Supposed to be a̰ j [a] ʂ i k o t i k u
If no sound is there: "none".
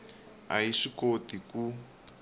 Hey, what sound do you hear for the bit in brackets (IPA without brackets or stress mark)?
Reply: i